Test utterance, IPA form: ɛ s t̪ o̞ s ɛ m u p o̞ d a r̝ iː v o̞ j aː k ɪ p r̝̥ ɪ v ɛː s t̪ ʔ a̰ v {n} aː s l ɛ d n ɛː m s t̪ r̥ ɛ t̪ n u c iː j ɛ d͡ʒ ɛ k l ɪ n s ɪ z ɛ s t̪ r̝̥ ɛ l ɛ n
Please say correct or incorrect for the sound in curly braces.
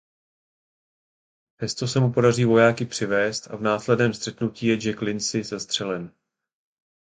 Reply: correct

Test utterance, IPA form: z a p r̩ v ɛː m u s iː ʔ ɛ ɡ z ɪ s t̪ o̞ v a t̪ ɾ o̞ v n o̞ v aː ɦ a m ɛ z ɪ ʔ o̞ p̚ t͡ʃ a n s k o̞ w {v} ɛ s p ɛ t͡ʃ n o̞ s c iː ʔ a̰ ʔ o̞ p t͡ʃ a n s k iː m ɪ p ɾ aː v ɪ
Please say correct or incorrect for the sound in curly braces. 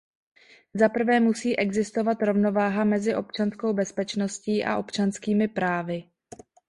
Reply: incorrect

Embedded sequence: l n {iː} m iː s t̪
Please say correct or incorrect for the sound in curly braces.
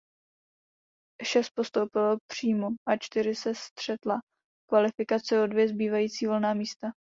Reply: incorrect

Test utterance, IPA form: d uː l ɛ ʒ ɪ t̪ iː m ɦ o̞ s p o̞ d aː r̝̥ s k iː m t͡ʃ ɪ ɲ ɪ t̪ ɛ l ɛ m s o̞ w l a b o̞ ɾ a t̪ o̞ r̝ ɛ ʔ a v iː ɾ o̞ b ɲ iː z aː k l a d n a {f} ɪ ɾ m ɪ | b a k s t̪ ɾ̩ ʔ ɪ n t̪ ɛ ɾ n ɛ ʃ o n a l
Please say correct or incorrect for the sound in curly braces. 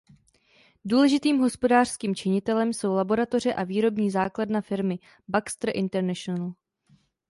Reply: correct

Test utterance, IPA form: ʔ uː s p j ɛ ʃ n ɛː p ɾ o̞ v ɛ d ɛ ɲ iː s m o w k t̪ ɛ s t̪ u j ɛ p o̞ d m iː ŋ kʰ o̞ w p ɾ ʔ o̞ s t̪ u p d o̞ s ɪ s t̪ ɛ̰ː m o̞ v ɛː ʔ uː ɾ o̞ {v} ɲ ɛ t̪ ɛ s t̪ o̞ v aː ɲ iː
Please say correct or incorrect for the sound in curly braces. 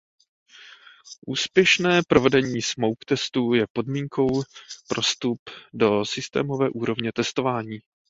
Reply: correct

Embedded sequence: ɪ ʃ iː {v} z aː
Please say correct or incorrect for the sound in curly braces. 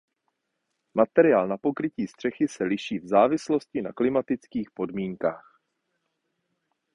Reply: correct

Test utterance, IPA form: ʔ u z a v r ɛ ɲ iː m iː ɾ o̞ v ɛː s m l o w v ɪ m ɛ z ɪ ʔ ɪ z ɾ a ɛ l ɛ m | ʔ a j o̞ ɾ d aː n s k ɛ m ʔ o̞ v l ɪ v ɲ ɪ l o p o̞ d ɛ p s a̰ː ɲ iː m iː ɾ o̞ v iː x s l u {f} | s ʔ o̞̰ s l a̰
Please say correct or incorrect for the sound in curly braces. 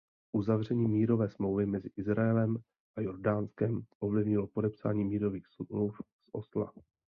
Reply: correct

